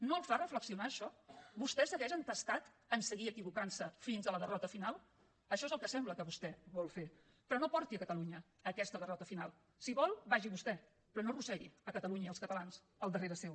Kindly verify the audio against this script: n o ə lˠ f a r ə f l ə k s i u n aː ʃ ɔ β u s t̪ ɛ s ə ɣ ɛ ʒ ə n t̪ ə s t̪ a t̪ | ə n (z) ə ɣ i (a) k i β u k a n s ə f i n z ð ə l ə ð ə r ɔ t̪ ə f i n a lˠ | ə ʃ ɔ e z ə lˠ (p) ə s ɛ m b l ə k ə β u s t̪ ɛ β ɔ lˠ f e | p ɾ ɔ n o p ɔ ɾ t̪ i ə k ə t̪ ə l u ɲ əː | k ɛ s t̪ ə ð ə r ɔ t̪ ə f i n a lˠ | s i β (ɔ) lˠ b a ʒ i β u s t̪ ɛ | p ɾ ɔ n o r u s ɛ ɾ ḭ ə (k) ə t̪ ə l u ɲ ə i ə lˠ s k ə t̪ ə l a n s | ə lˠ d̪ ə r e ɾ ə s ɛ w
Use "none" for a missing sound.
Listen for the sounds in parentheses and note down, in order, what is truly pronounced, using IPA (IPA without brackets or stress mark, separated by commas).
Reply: s, ə, k, ɔ, k